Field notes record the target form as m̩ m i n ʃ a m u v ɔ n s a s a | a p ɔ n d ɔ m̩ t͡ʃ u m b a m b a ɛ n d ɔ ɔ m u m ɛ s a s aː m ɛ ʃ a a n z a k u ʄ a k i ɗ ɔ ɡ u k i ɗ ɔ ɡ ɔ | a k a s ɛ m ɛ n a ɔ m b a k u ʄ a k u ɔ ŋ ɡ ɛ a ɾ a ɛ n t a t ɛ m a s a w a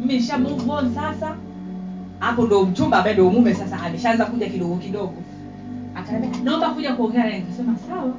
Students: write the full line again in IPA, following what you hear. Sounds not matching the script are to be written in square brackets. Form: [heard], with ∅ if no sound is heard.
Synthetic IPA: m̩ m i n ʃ a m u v ɔ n s a s a | a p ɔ n d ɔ m̩ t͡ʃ u m b a m b a ɛ n d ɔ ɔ m u m ɛ s a s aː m ɛ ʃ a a n z a k u ʄ a k i ɗ ɔ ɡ [ɔ] k i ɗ ɔ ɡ ɔ | a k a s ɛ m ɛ n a ɔ m b a k u ʄ a k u ɔ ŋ ɡ ɛ a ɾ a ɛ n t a [s] ɛ m a s a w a